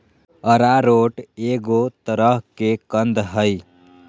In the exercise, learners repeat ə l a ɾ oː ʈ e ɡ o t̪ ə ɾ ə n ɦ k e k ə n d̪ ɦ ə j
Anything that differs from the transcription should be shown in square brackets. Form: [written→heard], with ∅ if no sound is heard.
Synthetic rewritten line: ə [l→ɾ] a ɾ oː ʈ e ɡ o t̪ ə ɾ ə [n→∅] ɦ k e k ə n d̪ ɦ ə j